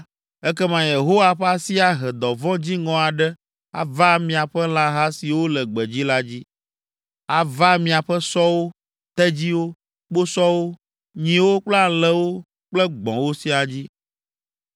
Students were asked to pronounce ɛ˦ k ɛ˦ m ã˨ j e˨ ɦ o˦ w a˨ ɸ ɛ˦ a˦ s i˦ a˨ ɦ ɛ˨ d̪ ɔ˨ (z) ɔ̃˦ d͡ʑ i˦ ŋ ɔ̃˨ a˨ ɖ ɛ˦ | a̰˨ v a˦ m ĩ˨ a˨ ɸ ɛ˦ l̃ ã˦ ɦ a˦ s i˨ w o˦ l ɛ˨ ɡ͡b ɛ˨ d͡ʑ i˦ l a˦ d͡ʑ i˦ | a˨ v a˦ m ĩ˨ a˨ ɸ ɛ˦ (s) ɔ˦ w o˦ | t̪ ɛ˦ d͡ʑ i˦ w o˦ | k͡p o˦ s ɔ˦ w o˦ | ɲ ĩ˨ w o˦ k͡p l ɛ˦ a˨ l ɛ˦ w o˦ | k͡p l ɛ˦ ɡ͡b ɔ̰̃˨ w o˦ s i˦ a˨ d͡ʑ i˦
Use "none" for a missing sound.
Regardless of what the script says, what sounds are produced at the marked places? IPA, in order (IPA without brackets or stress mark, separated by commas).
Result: v, s